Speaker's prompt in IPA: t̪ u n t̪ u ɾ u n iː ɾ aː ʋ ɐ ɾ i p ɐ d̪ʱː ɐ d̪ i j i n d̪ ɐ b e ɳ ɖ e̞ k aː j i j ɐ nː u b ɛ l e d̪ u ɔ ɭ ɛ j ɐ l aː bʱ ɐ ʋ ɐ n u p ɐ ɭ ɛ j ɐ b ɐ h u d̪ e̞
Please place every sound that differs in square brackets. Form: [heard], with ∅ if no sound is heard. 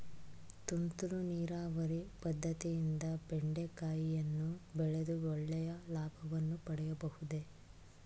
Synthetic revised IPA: t̪ u n t̪ u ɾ u n iː ɾ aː ʋ ɐ ɾ i p ɐ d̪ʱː ɐ [t̪] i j i n d̪ ɐ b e ɳ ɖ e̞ k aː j i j ɐ nː u b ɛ [ɭ] e d̪ u ɔ [ɭː] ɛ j ɐ l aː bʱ ɐ ʋ ɐ [nː] u p ɐ [ɽ] ɛ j ɐ b ɐ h u d̪ e̞